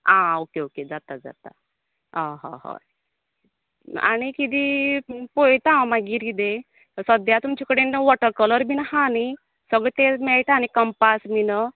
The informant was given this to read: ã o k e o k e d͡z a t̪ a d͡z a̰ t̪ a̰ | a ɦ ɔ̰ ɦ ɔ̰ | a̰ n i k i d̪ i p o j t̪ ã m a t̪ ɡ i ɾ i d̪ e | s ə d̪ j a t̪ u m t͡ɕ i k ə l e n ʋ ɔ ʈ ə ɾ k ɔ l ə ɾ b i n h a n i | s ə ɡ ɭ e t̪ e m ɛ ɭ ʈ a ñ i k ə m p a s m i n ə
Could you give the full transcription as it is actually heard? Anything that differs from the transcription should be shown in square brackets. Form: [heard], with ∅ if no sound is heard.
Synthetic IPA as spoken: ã o k e o k e d͡z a t̪ a d͡z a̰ t̪ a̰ | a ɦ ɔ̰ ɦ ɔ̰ | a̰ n i k i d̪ i p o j t̪ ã m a [∅] ɡ i ɾ i d̪ e | s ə d̪ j a t̪ u m t͡ɕ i k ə [ɽ] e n ʋ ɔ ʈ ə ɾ k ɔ l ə ɾ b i n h a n i | s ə ɡ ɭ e t̪ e m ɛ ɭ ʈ a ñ i k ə m p a s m i n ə